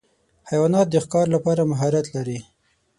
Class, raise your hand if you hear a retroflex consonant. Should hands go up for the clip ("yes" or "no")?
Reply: no